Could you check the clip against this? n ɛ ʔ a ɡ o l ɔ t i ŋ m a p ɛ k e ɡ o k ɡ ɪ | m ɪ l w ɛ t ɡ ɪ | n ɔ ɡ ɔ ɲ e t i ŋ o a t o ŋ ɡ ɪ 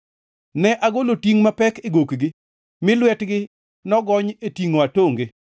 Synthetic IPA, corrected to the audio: n ɛ ʔ a ɡ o l o t i ŋ m a p ɛ k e ɡ o k ɡ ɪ | m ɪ l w ɛ t ɡ ɪ | n ɔ ɡ ɔ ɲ e t i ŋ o a t o ŋ ɡ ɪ

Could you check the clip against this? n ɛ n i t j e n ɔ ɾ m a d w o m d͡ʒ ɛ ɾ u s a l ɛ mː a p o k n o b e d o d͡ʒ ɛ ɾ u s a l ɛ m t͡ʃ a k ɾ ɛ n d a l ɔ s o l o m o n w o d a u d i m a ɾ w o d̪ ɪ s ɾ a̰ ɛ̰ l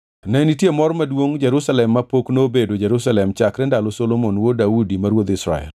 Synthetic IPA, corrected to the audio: n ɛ n i t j e m ɔ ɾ m a d w o ŋ d͡ʒ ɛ ɾ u s a l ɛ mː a p o k n o b e d o d͡ʒ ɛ ɾ u s a l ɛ m t͡ʃ a k ɾ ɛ n d a l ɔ s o l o m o n w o d a u d i m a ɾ w o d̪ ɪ s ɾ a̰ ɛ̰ l

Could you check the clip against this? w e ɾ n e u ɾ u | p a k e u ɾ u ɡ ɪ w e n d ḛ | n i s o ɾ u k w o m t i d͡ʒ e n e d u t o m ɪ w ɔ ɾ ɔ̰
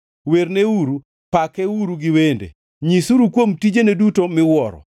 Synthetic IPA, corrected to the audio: w e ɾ n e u ɾ u | p a k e u ɾ u ɡ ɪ w e n d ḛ | ɲ i s u ɾ u k w o m t i d͡ʒ e n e d u t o m ɪ w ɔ ɾ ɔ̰

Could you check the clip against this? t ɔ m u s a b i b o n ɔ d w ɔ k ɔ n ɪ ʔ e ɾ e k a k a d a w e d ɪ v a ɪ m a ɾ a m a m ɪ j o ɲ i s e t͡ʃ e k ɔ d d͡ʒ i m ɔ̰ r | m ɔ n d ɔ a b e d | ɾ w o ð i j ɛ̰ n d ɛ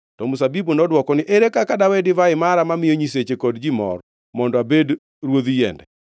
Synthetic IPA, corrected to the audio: t ɔ m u s a b i b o n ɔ d w ɔ k ɔ n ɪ ʔ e ɾ e k a k a d a w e d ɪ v a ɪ m a ɾ a m a m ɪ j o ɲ i s e t͡ʃ e k ɔ d d͡ʒ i m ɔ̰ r | m ɔ n d ɔ a b e d | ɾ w o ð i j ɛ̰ n d ɛ

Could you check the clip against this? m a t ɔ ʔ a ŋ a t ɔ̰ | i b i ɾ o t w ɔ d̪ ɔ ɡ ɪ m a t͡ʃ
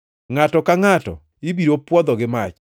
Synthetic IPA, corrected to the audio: ŋ a t ɔ k a ŋ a t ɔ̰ | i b i ɾ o p w ɔ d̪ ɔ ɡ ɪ m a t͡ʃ

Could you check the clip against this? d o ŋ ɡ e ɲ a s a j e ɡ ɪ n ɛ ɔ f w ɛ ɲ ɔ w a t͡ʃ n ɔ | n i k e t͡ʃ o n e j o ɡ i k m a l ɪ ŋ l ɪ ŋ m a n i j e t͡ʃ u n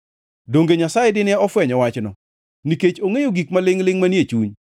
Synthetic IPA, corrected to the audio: d o ŋ ɡ e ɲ a s a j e d ɪ n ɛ ɔ f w ɛ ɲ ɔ w a t͡ʃ n ɔ | n i k e t͡ʃ o ŋ e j o ɡ i k m a l ɪ ŋ l ɪ ŋ m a n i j e t͡ʃ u ɲ

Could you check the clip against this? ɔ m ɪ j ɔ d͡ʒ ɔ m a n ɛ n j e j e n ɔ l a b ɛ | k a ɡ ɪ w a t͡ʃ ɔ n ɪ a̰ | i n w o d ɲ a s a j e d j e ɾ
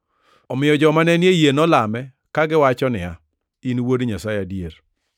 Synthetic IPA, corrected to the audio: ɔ m ɪ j ɔ d͡ʒ ɔ m a n ɛ n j e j e n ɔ l a m ɛ | k a ɡ ɪ w a t͡ʃ ɔ n ɪ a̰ | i n w o d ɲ a s a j a d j e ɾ

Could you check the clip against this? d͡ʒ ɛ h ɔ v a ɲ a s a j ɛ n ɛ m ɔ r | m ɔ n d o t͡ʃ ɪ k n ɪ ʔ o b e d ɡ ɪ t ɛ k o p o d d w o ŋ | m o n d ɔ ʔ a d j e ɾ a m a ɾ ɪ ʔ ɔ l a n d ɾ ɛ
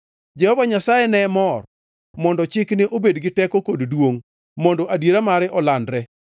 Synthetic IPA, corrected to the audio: d͡ʒ ɛ h ɔ v a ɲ a s a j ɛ n ɛ m ɔ r | m ɔ n d ɔ t͡ʃ ɪ k n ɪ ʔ o b e d ɡ ɪ t ɛ k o k o d d w o ŋ | m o n d ɔ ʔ a d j e ɾ a m a ɾ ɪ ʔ ɔ l a n d ɾ ɛ

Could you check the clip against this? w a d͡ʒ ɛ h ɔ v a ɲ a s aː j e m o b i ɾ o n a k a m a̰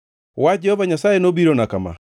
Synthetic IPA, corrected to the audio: w a d͡ʒ ɛ h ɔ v a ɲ a s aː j e n o b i ɾ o n a k a m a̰

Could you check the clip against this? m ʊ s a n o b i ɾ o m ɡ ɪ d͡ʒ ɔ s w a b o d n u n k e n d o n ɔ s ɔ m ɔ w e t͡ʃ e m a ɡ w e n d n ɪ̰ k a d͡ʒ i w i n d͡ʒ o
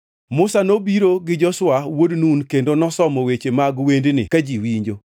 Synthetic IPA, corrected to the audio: m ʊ s a n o b i ɾ o ɡ ɪ d͡ʒ ɔ s w a w o d n u n k e n d o n ɔ s ɔ m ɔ w e t͡ʃ e m a ɡ w e n d n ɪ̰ k a d͡ʒ i w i ɲ d͡ʒ o

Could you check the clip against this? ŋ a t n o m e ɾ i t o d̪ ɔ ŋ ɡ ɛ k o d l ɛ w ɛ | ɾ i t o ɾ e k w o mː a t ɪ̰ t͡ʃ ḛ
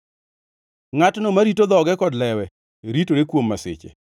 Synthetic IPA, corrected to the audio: ŋ a t n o m a ɾ i t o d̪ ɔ ɡ ɛ k ɔ d l ɛ w ɛ | ɾ i t o ɾ e k w o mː a s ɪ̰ t͡ʃ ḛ

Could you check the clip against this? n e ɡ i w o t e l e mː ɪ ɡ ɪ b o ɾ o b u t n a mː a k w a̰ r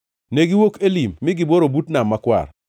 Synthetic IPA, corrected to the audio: n e ɡ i w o k e l i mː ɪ ɡ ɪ b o ɾ o b u t n a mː a k w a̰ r

